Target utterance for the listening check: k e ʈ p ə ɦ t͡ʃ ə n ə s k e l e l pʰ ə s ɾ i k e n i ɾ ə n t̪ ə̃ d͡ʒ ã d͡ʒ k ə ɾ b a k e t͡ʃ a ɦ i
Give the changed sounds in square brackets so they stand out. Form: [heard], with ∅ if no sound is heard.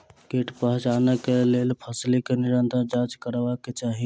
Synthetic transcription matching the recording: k e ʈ p ə ɦ t͡ʃ [a] n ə [∅] k e l e l pʰ ə s [l] i k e n i ɾ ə n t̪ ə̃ d͡ʒ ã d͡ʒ k ə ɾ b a k e t͡ʃ a ɦ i